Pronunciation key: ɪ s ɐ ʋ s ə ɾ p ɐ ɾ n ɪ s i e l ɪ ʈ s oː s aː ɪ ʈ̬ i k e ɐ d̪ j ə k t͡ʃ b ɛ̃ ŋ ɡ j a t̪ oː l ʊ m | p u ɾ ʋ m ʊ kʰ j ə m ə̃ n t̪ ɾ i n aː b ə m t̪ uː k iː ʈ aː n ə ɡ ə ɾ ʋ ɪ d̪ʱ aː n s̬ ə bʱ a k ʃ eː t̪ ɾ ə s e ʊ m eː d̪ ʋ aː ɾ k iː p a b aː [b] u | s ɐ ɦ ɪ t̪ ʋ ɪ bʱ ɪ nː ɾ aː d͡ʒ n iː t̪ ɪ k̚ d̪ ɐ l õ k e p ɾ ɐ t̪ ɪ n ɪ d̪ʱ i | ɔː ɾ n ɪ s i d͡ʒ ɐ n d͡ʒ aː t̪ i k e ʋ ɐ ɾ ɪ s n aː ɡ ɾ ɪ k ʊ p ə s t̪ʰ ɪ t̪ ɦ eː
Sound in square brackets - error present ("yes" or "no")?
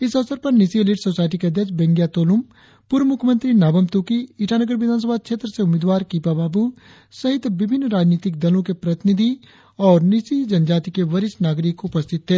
no